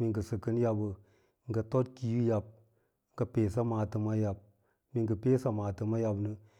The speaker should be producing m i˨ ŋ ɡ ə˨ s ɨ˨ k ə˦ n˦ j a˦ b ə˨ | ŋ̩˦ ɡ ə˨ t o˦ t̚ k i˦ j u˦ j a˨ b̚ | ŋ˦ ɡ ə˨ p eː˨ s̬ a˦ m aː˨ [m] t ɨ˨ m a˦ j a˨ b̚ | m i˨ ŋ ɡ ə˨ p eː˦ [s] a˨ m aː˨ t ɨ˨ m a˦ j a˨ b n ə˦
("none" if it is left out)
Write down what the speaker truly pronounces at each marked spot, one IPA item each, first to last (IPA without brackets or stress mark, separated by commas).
none, s